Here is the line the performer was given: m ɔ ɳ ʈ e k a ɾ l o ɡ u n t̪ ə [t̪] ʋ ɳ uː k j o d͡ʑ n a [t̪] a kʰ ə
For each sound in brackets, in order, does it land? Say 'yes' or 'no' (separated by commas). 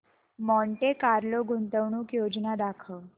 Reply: no, no